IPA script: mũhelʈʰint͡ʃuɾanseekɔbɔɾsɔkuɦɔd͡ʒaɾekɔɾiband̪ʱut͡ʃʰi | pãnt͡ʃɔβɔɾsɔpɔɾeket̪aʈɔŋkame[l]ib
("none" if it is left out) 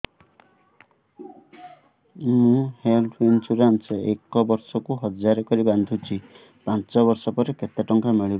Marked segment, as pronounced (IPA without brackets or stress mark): ɭ